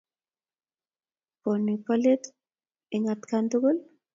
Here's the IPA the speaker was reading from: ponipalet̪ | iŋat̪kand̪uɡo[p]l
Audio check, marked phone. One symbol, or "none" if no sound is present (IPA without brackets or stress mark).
none